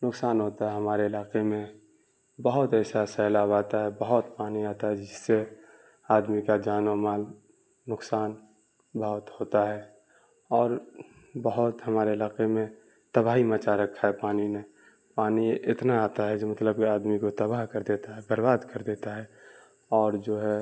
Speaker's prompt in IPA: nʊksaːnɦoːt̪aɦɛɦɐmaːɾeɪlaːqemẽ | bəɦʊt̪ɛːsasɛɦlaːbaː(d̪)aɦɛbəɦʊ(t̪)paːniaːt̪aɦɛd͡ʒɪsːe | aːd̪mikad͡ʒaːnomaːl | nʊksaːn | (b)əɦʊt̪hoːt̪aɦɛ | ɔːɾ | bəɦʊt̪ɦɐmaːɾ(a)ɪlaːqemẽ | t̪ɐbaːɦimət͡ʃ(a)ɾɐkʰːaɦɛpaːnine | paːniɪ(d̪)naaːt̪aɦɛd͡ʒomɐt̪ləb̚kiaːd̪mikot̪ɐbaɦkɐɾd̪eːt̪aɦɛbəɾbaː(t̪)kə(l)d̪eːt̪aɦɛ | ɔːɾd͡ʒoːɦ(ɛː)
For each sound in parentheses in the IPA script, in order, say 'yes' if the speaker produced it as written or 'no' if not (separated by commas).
no, yes, yes, no, yes, no, no, no, no